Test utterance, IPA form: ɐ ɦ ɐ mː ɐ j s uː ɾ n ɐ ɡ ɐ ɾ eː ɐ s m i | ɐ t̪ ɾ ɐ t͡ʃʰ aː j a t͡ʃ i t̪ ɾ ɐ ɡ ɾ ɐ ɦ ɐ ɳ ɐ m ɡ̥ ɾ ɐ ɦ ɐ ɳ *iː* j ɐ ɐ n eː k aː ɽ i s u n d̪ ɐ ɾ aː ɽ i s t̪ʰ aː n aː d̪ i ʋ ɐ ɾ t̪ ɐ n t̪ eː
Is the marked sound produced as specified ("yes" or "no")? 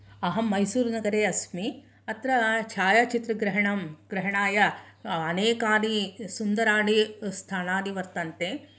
no